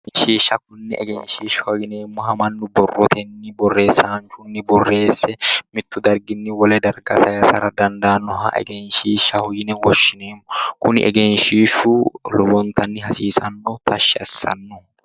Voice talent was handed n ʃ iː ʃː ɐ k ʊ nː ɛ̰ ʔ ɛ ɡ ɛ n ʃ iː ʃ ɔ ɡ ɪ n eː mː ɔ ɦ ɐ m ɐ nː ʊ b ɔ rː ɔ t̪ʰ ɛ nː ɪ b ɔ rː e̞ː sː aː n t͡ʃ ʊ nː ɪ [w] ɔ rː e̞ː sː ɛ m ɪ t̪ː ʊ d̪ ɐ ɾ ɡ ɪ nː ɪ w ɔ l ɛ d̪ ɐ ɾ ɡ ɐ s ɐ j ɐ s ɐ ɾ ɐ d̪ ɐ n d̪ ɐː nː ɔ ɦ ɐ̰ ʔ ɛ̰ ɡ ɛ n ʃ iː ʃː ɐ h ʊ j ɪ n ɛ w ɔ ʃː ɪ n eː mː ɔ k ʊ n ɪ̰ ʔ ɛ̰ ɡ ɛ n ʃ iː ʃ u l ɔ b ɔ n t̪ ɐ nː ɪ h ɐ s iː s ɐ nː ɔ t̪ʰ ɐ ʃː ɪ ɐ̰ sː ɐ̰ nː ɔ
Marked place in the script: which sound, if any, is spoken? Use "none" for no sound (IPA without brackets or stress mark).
b